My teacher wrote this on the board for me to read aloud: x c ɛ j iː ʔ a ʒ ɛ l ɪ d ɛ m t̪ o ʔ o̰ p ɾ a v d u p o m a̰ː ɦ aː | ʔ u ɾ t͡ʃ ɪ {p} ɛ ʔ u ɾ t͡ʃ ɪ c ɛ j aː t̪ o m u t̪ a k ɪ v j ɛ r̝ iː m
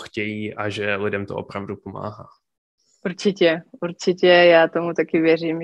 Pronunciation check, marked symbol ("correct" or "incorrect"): incorrect